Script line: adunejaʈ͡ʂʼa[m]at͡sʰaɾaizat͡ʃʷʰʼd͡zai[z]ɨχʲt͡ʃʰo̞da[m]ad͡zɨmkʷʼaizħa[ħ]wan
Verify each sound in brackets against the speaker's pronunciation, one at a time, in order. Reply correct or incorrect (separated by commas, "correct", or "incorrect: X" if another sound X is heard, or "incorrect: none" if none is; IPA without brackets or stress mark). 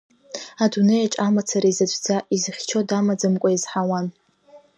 correct, correct, correct, incorrect: none